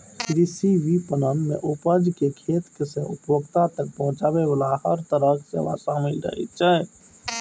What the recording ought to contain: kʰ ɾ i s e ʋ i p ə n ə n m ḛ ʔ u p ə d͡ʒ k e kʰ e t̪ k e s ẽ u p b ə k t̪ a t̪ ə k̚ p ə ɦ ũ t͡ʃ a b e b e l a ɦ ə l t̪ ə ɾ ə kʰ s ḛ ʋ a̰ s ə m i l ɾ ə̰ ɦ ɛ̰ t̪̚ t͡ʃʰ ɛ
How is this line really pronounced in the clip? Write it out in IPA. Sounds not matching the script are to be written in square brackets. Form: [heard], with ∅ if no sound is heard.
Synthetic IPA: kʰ ɾ i s [i] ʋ i p ə n ə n m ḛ ʔ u p ə d͡ʒ k e kʰ e t̪ k e s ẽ u p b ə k t̪ a t̪ ə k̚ p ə ɦ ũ t͡ʃ a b e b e l a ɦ ə [ɾ] t̪ ə ɾ ə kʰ s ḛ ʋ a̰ s [a] m i l ɾ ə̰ ɦ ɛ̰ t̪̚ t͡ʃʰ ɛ